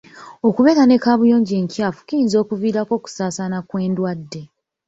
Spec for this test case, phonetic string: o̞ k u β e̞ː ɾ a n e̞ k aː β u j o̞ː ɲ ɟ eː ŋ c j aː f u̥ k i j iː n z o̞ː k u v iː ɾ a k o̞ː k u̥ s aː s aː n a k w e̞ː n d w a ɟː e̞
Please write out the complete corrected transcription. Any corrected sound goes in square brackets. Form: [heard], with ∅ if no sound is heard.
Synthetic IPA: o̞ k u β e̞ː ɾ a n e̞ k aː β u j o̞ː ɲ ɟ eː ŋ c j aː f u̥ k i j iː n z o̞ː k u v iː ɾ a k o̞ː k u̥ s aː s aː n a k w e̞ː n d w a [dː] e̞